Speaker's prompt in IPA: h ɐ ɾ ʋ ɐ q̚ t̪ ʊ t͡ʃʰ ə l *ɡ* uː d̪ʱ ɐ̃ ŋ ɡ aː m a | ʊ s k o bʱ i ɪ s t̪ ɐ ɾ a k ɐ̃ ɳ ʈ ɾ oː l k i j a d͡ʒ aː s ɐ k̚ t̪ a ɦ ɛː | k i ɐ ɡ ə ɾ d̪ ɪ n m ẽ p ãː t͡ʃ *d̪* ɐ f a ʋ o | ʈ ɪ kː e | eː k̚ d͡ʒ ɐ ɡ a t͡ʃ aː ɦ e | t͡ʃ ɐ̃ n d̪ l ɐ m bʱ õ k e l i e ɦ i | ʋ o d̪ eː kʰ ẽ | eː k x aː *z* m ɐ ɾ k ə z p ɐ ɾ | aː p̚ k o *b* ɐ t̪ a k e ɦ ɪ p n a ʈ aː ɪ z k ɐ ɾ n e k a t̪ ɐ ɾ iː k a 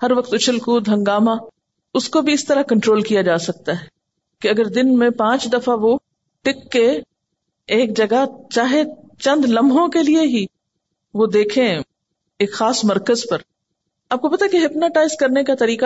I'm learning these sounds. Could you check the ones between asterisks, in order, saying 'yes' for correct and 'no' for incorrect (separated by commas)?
no, yes, no, no